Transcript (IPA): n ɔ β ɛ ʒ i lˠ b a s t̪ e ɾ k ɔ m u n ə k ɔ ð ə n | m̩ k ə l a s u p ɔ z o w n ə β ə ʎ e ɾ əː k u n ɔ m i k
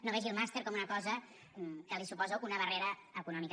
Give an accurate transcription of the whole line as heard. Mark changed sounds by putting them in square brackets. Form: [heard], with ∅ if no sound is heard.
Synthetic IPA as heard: n [o] β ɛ ʒ i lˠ [m] a s t̪ e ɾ k ɔ m u n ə k ɔ [z] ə [∅] | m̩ k ə l [i] s u p ɔ z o [u] n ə β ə [r] e ɾ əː k u n ɔ m i k

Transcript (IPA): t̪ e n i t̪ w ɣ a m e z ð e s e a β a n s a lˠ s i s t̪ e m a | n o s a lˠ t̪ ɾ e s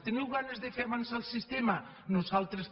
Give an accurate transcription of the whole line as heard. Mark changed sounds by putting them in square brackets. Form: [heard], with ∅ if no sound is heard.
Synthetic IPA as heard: t̪ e n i [∅] w ɣ a [n] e z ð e [f] e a β a n s a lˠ s i s t̪ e m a | n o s a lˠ t̪ ɾ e s

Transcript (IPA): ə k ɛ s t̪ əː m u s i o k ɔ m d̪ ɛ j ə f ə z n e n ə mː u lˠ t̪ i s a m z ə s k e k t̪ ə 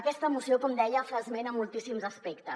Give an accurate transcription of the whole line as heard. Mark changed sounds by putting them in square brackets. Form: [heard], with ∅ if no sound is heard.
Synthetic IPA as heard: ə k ɛ s t̪ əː m u s i o k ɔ m d̪ ɛ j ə f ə z [m] e n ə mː u lˠ t̪ i s [i] m z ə s [p] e k t̪ ə

